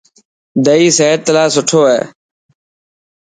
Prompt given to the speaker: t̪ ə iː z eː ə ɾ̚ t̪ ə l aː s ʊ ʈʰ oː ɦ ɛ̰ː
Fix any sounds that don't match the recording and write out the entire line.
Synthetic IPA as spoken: d̪ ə iː s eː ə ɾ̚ t̪ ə l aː s ʊ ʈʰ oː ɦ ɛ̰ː

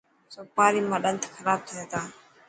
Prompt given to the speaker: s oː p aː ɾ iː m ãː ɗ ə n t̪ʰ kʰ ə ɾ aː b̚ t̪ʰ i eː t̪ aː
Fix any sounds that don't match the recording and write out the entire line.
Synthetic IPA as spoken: s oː p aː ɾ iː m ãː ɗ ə n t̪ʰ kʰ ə ɾ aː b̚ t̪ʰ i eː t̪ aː

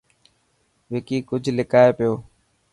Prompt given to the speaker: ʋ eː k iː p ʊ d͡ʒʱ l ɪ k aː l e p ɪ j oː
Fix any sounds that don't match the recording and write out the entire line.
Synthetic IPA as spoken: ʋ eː k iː k ʊ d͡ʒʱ l ɪ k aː e p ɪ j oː

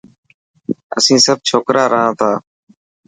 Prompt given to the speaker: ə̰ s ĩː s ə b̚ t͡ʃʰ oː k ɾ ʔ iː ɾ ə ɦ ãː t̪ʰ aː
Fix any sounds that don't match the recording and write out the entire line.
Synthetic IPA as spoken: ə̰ s ĩː s ə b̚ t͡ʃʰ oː k ɾ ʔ aː ɾ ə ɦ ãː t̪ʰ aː

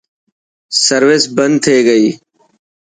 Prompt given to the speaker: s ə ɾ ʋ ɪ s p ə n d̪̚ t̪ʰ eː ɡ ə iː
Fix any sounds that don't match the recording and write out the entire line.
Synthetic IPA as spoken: s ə ɾ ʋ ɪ s b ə n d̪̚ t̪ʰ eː ɡ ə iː

